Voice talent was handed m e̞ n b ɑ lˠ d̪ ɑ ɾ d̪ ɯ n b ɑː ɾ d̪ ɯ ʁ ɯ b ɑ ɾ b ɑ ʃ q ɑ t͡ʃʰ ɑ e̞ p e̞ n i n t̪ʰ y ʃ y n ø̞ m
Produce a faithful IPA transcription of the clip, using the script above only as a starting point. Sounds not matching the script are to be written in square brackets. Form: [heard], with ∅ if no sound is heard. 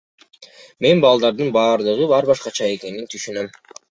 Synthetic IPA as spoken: m e̞ n b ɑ lˠ d̪ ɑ ɾ d̪ ɯ n b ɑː ɾ d̪ ɯ ʁ ɯ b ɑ ɾ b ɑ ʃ q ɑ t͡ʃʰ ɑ e̞ [k] e̞ n i n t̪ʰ y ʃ y n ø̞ m